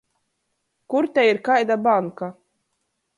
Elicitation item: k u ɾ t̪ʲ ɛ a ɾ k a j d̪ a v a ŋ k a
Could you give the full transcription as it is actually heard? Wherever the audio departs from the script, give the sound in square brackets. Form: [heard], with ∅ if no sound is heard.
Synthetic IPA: k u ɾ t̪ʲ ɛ [i] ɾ k a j d̪ a [b] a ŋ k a